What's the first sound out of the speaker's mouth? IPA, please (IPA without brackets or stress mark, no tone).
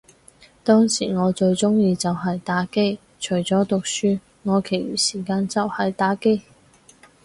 t̪